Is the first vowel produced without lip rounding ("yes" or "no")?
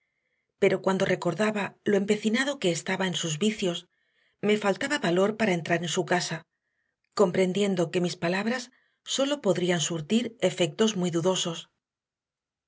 yes